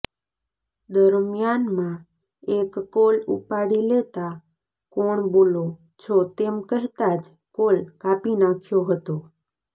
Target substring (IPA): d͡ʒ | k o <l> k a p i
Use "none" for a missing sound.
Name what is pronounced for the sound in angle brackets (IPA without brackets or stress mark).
l